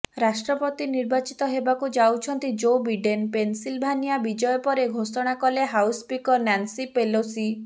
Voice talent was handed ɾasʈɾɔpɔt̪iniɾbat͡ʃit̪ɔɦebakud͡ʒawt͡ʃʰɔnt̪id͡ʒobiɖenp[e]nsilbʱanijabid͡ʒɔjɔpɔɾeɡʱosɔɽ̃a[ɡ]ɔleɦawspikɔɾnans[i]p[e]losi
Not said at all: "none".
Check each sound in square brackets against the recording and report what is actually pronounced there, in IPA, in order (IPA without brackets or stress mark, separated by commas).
e, k, i, e